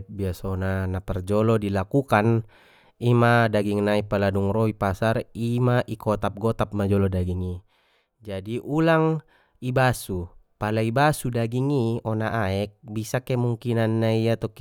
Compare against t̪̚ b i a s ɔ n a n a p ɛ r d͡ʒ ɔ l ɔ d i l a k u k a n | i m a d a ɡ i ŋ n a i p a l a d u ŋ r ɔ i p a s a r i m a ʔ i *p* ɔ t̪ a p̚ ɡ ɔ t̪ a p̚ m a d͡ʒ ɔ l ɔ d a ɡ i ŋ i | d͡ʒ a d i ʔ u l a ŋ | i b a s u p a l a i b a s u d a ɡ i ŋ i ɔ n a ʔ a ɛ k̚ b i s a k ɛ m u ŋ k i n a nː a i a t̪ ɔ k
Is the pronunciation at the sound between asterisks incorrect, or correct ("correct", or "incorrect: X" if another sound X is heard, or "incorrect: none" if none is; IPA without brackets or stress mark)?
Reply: incorrect: k